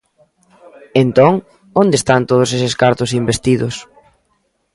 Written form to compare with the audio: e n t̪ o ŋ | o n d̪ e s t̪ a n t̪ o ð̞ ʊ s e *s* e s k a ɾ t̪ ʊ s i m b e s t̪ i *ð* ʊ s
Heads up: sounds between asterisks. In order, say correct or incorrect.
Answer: correct, correct

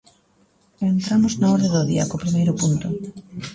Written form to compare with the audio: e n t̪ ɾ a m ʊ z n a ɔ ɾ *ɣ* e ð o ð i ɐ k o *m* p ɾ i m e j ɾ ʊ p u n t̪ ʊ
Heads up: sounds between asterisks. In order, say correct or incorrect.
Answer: incorrect, incorrect

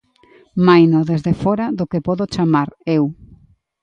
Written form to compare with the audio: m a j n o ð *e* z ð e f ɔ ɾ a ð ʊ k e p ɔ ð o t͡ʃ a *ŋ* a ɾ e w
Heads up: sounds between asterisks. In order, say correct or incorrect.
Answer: correct, incorrect

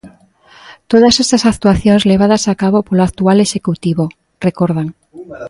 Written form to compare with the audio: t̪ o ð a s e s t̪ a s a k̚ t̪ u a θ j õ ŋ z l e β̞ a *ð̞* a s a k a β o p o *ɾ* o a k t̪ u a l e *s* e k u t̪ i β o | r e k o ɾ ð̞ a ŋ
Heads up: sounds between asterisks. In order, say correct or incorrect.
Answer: correct, incorrect, incorrect

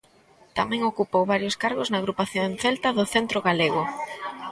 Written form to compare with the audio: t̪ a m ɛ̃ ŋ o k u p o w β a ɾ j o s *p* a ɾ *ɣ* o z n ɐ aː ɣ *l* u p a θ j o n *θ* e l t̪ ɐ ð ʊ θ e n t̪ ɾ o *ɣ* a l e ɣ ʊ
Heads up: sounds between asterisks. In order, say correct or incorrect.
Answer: incorrect, correct, incorrect, correct, correct

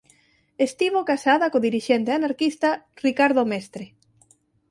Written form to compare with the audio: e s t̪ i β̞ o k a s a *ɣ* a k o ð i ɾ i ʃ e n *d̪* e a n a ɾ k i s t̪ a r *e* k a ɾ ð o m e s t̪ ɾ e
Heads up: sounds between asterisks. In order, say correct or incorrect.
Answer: incorrect, incorrect, incorrect

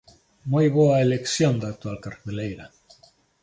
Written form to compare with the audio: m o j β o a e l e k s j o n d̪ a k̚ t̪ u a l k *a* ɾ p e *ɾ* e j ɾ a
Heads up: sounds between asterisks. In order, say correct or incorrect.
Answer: correct, incorrect

